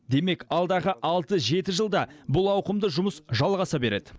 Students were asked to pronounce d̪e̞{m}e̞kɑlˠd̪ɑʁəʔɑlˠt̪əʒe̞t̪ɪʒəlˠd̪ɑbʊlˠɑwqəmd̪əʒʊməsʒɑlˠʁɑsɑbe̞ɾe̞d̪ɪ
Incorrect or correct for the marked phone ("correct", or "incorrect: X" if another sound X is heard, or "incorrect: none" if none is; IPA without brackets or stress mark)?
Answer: correct